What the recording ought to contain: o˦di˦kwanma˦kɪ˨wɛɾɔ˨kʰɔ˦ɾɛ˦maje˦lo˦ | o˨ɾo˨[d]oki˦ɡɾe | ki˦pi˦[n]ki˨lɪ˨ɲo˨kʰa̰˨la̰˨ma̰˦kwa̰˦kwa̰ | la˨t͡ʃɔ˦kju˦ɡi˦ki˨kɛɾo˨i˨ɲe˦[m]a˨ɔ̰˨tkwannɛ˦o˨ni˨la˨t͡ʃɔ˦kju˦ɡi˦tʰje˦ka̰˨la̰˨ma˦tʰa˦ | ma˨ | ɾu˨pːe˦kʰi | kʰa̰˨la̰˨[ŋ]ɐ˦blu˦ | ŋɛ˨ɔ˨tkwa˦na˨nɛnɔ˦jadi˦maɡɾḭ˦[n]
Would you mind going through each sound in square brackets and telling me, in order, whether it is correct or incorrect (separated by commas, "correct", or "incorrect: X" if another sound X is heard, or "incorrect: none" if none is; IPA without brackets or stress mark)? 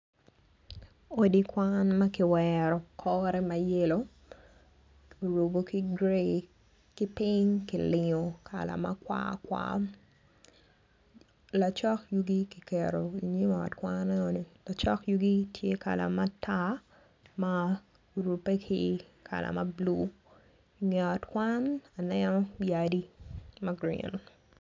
incorrect: b, incorrect: ɲ, correct, incorrect: m, correct